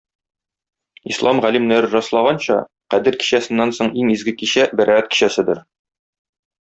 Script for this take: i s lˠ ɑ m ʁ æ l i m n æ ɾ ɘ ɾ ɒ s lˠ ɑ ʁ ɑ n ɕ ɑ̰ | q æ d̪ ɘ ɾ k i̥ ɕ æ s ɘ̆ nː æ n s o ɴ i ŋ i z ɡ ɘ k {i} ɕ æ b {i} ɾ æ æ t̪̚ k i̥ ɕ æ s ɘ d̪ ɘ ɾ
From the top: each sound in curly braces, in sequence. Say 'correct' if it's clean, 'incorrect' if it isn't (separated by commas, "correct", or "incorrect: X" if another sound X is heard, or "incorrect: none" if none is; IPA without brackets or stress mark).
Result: correct, incorrect: æ